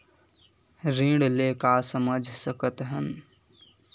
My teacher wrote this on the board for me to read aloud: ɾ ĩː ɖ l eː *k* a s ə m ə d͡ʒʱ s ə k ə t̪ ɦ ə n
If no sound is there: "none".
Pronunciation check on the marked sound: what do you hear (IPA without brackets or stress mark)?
k